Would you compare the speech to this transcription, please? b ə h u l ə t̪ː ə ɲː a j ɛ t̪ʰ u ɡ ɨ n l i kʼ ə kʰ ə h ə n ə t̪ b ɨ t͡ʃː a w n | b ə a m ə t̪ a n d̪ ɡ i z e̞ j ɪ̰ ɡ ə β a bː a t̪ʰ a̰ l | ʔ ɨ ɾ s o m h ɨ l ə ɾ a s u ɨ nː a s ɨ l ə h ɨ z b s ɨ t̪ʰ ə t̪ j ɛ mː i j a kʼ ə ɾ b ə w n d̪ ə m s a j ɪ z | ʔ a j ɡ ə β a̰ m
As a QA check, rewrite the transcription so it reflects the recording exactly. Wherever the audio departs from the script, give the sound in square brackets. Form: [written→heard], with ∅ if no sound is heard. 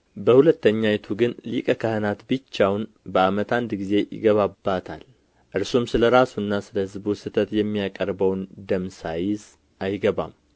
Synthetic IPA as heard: b ə h u l ə t̪ː ə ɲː a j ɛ t̪ʰ u ɡ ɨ n l i kʼ ə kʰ ə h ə n [ə→a] t̪ b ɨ t͡ʃː a w n | b ə a m ə t̪ a n d̪ ɡ i z e̞ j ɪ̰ ɡ ə β a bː a t̪ʰ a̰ l | ʔ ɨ ɾ s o m [h→s] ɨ l ə ɾ a s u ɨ nː a s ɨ l ə h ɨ z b s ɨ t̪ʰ ə t̪ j ɛ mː i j a kʼ ə ɾ b ə w n d̪ ə m s a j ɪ z | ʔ a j ɡ ə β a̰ m